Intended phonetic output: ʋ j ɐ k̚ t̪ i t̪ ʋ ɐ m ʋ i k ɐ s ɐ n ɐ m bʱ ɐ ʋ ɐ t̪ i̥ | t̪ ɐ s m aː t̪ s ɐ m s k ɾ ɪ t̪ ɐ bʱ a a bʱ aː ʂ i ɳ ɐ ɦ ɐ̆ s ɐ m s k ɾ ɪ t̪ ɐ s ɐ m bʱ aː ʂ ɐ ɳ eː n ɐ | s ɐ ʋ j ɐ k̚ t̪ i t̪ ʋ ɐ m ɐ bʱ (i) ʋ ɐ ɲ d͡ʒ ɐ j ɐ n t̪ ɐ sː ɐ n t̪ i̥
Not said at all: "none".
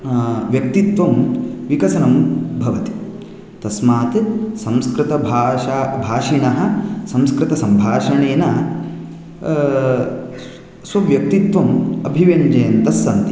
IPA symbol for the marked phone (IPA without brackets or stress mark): i